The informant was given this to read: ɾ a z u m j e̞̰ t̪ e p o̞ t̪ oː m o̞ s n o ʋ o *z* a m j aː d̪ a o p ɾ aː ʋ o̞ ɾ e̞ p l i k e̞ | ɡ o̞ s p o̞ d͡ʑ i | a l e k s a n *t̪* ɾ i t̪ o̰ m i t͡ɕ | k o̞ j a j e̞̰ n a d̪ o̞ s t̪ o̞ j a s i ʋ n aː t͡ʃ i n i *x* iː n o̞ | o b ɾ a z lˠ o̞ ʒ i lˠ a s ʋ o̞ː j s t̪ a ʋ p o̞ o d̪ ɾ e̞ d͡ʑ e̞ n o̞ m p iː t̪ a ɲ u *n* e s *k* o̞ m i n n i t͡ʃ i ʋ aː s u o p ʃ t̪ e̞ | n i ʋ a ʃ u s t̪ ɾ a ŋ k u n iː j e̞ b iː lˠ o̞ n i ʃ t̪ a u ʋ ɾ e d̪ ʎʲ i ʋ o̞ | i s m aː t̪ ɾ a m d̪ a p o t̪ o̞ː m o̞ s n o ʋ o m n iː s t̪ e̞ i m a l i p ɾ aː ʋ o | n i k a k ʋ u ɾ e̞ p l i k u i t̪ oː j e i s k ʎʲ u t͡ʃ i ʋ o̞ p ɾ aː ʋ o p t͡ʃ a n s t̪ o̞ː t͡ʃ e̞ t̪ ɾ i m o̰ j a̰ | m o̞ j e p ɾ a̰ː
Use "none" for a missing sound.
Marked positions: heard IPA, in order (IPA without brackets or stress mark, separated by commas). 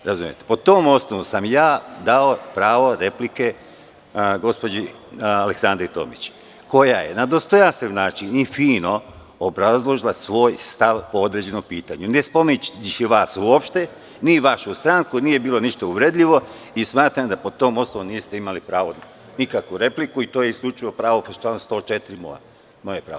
s, d̪, f, n, p